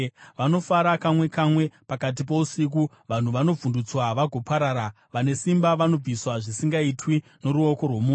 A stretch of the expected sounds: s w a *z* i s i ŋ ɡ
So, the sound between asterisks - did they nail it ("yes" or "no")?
no